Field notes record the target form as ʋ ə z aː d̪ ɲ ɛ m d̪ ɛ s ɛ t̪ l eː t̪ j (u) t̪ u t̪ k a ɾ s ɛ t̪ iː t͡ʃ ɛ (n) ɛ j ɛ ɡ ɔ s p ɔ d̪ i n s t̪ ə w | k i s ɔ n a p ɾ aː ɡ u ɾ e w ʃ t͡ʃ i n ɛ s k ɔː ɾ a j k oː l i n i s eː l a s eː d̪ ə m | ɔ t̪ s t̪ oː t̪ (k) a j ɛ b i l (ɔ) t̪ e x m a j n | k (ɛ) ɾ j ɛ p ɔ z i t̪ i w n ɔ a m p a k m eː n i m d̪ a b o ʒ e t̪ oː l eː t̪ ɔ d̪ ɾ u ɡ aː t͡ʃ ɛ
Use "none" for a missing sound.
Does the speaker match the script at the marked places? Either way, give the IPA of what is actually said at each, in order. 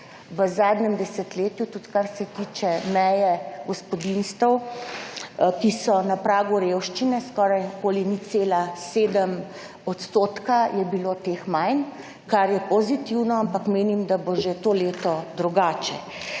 u, m, k, o, a

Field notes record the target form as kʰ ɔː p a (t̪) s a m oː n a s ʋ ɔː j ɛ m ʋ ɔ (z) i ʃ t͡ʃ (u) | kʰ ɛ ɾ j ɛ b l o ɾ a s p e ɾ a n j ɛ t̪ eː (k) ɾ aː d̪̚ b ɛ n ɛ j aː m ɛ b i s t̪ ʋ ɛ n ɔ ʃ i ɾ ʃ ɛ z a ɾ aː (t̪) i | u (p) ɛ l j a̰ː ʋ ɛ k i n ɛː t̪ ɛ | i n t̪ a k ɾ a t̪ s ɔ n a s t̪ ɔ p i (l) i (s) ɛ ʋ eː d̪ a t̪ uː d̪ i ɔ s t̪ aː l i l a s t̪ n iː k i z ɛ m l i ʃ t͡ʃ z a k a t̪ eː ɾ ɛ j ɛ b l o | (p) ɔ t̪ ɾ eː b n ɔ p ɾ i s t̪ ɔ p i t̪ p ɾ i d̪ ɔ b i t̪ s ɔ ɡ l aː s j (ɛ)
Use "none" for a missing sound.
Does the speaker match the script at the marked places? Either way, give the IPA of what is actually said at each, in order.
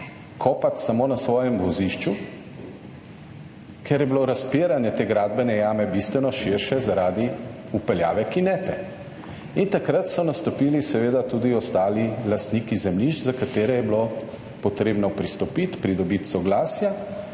t̪, z, u, ɡ, d̪, p, l, s, p, a

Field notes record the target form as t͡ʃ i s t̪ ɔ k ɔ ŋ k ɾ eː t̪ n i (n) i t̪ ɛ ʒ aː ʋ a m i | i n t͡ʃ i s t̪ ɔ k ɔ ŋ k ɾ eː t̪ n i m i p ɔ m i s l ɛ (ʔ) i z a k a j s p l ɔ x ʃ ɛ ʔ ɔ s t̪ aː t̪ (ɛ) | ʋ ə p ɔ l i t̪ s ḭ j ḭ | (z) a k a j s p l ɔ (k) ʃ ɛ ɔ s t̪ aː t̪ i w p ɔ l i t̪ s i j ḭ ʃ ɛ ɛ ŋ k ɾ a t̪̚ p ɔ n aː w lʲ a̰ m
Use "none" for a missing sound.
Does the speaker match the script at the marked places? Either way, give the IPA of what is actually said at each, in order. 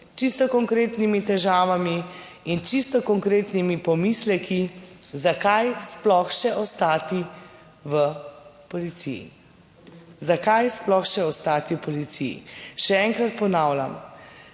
m, k, i, z, x

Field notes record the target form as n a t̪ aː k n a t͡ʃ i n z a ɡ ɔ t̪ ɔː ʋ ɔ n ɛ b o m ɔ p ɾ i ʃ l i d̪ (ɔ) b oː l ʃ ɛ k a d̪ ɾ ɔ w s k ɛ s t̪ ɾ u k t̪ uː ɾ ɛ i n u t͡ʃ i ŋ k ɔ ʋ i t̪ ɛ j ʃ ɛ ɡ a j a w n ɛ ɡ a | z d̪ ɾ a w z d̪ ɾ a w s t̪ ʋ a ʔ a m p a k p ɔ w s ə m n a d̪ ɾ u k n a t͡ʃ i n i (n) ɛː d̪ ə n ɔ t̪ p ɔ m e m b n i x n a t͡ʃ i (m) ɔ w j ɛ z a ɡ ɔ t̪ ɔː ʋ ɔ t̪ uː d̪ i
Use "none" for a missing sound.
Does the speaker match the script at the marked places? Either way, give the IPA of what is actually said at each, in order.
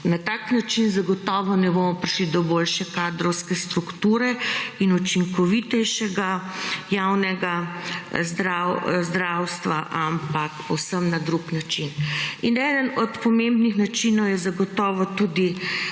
ɔ, n, n

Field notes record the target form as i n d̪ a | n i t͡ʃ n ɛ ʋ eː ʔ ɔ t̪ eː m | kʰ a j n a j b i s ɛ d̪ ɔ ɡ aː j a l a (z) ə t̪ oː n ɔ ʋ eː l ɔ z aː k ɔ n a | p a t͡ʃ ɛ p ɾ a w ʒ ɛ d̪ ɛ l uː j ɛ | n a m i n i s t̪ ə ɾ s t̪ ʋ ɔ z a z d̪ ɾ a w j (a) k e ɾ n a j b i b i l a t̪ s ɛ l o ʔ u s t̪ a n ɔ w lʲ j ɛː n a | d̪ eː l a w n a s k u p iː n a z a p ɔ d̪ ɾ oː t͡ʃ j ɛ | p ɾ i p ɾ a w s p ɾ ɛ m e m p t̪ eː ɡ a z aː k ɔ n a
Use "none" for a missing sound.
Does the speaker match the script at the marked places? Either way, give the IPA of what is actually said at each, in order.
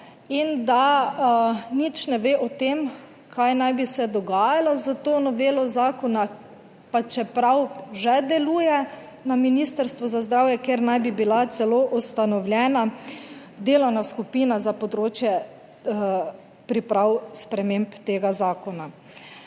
z, ɛ

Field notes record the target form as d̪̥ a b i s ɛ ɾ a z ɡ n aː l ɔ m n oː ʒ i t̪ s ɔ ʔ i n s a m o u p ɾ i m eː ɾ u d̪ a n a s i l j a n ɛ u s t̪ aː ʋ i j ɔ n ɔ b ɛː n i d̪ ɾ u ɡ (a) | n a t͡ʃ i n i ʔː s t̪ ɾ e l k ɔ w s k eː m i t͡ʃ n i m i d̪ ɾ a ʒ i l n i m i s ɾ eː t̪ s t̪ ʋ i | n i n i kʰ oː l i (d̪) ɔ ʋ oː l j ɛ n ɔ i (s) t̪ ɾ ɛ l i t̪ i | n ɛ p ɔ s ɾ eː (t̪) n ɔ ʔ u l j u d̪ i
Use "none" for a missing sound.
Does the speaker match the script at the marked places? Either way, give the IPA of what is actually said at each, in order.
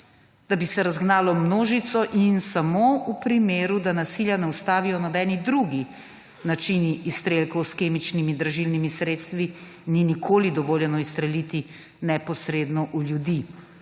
i, d̪, s, d̪

